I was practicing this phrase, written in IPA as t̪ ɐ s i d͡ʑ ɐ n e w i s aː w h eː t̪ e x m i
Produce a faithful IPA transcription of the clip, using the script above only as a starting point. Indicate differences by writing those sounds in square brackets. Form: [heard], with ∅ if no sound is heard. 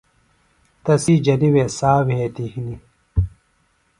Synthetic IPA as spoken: t̪ ɐ s i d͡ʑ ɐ n [i] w [e] s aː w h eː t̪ [i] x [n] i